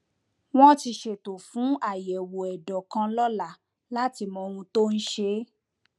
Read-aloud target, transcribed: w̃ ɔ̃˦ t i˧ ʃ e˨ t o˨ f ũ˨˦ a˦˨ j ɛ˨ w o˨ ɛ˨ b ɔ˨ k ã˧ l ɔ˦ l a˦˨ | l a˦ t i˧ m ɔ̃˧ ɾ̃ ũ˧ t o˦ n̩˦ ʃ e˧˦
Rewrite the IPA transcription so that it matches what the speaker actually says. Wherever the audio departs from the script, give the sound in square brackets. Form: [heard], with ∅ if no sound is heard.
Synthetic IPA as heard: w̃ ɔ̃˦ t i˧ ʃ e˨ t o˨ f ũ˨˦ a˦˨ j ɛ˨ w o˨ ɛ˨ [d] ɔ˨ k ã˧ l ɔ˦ l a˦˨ | l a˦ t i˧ m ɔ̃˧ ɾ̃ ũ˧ t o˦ n̩˦ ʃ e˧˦